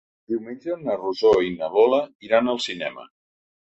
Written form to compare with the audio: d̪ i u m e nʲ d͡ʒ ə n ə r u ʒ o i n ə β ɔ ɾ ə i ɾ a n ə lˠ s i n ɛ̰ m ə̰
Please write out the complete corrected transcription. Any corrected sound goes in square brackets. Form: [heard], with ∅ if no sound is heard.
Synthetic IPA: d̪ i [w] m e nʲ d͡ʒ ə n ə r u [z] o i n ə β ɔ [l] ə i ɾ a n ə lˠ s i n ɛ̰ m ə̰